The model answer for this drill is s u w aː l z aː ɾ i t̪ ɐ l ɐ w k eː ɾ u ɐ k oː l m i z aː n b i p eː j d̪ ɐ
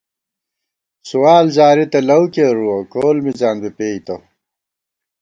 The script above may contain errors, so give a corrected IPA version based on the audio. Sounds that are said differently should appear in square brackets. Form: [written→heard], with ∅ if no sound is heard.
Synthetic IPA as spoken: s u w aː l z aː ɾ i t̪ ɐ l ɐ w k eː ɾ u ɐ k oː l m i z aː n b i p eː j [d̪→t̪] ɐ